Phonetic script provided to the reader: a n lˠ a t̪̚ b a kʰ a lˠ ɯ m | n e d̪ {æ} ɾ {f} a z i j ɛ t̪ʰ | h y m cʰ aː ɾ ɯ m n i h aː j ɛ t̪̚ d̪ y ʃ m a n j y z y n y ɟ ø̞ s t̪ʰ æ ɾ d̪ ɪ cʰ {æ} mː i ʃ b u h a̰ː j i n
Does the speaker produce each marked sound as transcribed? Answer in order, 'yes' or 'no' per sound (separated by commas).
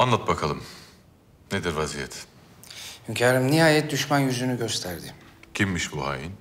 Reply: no, no, no